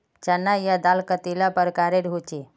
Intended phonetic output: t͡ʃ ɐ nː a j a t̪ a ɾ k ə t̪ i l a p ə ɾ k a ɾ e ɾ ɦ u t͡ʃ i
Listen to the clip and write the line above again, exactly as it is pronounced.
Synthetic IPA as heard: t͡ʃ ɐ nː a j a d̪ a l k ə t̪ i l a p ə ɾ k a ɾ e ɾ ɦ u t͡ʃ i